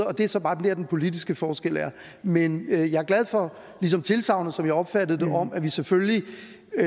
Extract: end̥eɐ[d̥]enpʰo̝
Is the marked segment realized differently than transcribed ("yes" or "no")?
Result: no